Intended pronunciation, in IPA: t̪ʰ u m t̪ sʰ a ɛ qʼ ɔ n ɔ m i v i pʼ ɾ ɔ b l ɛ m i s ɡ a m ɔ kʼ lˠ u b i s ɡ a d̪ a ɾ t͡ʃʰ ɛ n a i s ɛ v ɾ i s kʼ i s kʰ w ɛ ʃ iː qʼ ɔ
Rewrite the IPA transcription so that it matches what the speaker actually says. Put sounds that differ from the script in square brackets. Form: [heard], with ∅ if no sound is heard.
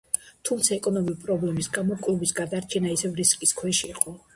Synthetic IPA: t̪ʰ u m t̪ sʰ a ɛ [kʼ] ɔ n ɔ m i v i pʼ ɾ ɔ b l ɛ m i s ɡ a m ɔ kʼ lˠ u b i s ɡ a d̪ a ɾ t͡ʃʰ ɛ n a i s ɛ v ɾ i s kʼ i s kʰ w ɛ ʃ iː qʼ ɔ